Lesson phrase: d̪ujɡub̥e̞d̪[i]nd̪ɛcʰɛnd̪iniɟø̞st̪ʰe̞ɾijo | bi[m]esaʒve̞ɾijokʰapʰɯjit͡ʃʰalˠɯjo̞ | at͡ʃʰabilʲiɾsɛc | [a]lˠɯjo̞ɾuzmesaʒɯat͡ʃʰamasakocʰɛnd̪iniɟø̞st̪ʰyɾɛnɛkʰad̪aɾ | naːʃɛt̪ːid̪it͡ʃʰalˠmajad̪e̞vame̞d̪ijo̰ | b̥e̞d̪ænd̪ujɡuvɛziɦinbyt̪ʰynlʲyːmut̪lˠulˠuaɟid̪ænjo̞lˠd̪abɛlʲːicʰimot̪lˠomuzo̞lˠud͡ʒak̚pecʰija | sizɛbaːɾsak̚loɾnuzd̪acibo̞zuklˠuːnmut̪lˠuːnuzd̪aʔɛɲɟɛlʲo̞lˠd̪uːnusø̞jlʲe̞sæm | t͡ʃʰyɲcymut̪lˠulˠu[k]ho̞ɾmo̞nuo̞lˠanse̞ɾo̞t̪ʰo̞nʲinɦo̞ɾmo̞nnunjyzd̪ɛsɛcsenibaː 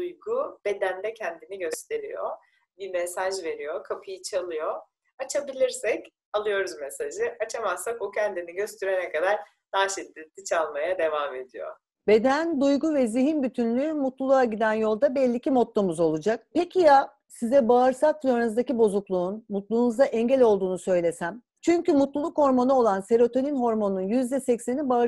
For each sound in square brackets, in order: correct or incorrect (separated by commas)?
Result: incorrect, correct, correct, correct